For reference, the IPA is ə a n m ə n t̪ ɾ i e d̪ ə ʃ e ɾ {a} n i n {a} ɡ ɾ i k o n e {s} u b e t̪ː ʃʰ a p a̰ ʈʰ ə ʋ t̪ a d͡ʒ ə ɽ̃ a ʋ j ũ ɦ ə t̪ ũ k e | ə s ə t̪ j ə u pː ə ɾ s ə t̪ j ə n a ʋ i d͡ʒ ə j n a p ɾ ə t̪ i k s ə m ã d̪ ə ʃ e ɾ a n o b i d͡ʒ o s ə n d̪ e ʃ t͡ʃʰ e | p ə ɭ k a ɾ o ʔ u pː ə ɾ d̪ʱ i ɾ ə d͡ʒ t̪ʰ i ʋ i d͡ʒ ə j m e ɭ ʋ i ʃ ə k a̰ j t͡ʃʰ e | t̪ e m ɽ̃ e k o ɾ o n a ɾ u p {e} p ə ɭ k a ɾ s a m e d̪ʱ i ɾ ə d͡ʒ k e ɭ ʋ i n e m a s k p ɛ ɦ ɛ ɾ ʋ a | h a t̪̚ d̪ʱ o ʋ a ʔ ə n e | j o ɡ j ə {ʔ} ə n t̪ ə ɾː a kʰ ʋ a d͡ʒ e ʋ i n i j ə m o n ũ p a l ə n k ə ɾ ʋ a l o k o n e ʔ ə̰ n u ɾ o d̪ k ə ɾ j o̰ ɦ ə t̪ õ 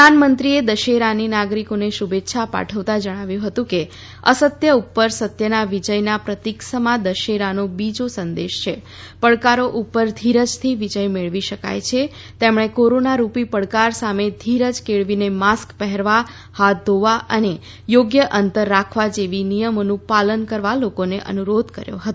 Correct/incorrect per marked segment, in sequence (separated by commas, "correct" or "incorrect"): correct, correct, incorrect, incorrect, correct